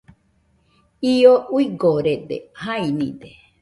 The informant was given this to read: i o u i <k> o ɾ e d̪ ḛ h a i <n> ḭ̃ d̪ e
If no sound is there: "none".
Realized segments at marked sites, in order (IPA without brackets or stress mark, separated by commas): ɡ, n